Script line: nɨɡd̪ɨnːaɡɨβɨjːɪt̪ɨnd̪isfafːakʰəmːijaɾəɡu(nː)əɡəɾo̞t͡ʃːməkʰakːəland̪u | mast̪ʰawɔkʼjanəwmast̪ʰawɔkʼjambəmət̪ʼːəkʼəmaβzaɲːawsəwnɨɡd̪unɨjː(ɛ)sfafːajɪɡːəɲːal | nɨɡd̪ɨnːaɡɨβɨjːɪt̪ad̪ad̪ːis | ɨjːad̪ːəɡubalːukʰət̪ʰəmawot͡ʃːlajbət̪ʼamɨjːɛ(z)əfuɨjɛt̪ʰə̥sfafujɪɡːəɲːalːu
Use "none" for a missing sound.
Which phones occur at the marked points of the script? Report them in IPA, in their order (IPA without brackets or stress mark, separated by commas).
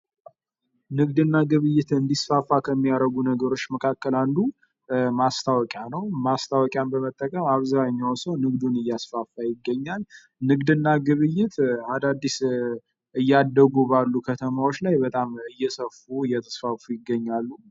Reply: n, a, s